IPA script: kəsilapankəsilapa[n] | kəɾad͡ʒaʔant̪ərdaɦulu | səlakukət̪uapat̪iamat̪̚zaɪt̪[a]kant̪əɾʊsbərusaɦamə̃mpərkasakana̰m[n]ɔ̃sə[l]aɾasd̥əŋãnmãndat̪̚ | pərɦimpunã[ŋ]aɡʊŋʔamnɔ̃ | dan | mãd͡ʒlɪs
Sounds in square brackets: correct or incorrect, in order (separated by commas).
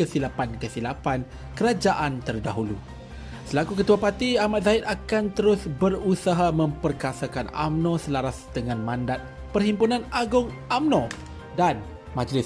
correct, correct, correct, correct, incorrect